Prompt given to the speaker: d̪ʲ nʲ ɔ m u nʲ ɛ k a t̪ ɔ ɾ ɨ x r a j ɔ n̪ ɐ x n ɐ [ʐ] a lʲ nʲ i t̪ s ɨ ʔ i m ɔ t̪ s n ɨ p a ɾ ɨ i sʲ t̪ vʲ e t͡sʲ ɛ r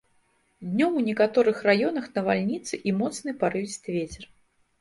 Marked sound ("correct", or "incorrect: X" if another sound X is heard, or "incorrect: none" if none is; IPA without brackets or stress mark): incorrect: v